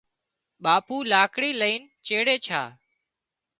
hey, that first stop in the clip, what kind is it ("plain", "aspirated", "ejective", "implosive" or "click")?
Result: implosive